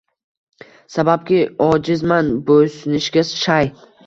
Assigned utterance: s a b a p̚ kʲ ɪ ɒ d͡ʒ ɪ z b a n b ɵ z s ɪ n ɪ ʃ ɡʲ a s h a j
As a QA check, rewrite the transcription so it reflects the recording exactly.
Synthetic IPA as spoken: s a b a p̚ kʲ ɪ ɒ d͡ʒ ɪ z m a n b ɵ s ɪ n ɪ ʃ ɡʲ a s ʃ a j